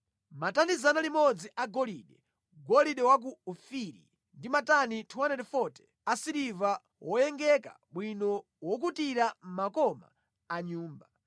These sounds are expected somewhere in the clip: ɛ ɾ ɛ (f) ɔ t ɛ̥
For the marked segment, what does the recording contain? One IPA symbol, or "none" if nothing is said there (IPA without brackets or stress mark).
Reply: f